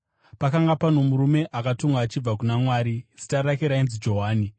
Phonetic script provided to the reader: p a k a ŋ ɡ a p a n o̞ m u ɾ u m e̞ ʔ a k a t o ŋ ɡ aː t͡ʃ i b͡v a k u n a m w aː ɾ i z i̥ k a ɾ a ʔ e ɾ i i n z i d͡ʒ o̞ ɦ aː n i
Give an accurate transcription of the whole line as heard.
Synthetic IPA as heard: p a k a ŋ ɡ a p a n o̞ m u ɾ u m e̞ ʔ a k a t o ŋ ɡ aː t͡ʃ i b͡v a k u n a m w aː ɾ i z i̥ t a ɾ a k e ɾ a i n z i d͡ʒ o̞ ɦ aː n i